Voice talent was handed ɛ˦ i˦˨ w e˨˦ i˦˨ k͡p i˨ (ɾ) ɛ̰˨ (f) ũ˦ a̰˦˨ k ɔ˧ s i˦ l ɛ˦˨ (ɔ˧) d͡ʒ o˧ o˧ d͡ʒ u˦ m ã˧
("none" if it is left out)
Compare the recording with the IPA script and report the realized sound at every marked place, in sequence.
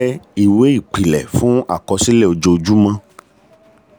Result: l, f, o˧

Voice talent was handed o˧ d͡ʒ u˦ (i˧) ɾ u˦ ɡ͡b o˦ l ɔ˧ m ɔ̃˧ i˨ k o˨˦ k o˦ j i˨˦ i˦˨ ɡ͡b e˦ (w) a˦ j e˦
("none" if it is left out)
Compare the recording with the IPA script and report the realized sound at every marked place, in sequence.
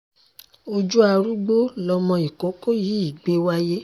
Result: a˧, w

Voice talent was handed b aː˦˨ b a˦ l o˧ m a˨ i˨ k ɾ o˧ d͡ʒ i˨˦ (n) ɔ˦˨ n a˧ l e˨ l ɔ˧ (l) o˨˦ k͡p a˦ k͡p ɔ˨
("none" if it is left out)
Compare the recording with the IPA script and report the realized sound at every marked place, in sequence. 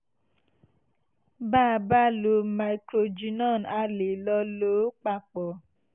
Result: n, l

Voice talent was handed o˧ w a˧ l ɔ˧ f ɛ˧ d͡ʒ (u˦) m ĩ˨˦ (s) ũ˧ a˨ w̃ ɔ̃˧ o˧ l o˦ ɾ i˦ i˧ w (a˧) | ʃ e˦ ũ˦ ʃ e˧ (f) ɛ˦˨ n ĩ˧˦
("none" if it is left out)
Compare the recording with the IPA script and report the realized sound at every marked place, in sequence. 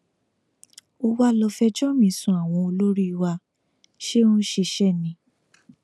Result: ɔ˦, s, a˧, ʃ

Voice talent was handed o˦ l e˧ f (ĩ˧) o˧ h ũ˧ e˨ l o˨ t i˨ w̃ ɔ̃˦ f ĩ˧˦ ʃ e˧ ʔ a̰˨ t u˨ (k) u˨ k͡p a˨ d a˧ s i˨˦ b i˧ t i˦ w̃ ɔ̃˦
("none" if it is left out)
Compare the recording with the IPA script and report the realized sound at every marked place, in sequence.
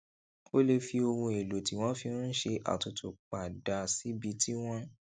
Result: i˧, t

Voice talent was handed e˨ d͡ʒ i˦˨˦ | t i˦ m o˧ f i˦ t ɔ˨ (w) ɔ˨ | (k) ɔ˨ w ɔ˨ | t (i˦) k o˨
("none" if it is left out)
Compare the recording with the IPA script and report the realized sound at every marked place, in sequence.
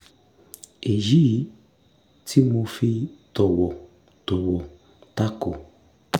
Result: w, t, a˦

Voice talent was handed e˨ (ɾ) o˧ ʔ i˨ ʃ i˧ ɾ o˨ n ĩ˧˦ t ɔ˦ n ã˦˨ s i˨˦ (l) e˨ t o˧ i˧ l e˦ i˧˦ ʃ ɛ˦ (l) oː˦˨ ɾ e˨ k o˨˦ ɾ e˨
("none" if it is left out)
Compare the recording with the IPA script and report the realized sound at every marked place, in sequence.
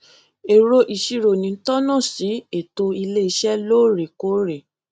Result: ɾ, none, l

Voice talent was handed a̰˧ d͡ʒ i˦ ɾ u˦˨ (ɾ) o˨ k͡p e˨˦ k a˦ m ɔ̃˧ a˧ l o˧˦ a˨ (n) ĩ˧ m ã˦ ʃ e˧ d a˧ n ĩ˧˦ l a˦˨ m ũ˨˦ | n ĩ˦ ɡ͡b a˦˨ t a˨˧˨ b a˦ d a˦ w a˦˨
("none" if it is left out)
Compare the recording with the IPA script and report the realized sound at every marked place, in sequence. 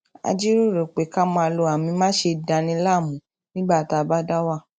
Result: ɾ, m

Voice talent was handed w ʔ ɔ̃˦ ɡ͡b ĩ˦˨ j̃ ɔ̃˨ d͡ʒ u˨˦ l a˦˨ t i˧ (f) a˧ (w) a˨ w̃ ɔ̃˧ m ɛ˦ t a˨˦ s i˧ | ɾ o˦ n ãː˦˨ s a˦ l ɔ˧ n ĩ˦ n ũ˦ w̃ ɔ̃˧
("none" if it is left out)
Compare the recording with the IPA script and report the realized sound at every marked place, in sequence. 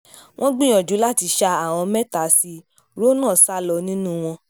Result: ʃ, none

